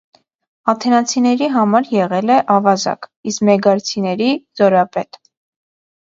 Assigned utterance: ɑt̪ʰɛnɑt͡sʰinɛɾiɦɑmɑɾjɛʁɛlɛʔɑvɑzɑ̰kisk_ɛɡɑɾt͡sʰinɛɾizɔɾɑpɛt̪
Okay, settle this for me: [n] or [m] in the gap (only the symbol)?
m